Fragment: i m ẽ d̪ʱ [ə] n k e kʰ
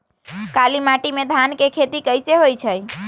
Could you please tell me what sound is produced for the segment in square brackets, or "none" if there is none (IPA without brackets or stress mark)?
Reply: a